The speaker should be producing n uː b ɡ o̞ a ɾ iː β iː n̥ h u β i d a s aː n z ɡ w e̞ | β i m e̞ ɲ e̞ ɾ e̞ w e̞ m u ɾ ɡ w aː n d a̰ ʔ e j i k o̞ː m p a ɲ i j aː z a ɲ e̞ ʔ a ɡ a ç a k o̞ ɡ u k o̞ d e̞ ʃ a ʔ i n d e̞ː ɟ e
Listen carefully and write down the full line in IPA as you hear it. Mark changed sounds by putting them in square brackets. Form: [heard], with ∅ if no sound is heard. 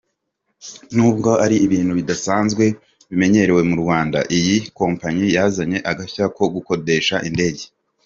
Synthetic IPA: n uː b ɡ o̞ a ɾ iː β iː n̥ h u β i d a s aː n z ɡ w e̞ | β i m e̞ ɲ e̞ ɾ e̞ w e̞ m u ɾ ɡ w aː n d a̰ ʔ [i] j i k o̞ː m p a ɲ i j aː z a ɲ e̞ ʔ a ɡ a ç a k o̞ ɡ u k o̞ d e̞ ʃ a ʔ i n d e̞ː ɟ e